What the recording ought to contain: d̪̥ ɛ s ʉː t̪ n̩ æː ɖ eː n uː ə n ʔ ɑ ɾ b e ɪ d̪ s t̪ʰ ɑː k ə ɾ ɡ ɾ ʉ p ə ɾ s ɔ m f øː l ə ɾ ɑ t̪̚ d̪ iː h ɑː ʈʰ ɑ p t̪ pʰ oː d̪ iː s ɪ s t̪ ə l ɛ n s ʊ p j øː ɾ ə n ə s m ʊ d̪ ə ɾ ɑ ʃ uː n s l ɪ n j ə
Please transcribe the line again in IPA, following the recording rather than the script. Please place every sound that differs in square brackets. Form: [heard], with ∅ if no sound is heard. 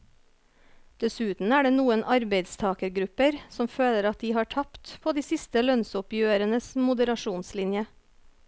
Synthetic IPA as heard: d̪̥ ɛ s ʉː t̪ n̩ æː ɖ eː n uː ə n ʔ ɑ ɾ b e ɪ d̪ s t̪ʰ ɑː k ə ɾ ɡ ɾ ʉ p ə ɾ s ɔ m f øː l ə ɾ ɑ t̪̚ d̪ iː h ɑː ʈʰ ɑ p t̪ pʰ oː d̪ iː s ɪ s t̪ ə l [œ] n s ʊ p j øː ɾ ə n ə s m ʊ d̪ ə ɾ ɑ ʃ uː n s l ɪ n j ə